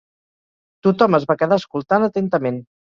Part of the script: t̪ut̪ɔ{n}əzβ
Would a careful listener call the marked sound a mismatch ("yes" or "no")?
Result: yes